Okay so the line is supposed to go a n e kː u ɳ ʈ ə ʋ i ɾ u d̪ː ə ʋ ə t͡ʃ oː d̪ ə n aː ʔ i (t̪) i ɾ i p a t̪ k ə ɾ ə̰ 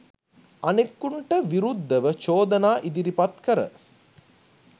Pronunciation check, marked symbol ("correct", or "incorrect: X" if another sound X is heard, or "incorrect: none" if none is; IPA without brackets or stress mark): incorrect: d̪